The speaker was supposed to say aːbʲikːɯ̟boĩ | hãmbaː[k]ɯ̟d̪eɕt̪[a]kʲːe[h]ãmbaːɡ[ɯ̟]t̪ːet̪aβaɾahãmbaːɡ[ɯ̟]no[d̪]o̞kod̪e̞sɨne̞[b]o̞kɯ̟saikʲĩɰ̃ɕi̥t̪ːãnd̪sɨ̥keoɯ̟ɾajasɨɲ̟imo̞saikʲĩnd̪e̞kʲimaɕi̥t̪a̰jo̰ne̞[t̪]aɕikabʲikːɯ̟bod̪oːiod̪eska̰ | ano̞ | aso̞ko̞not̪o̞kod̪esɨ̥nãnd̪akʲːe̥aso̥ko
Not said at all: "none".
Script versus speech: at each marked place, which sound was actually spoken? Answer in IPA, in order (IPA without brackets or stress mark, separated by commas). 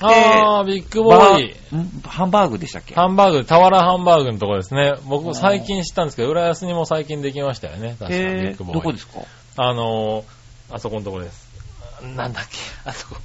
ɡ, a, h, ɯ̟, ɯ̟, t̪, b, t̪